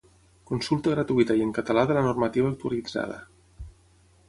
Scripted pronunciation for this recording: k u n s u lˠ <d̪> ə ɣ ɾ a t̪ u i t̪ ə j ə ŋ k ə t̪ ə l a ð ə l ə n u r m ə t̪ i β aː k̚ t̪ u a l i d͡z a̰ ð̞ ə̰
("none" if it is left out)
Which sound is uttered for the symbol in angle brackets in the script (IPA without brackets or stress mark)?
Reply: t̪